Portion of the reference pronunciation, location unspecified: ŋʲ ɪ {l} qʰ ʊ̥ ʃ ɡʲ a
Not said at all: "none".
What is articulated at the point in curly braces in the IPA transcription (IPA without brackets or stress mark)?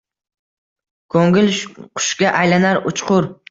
l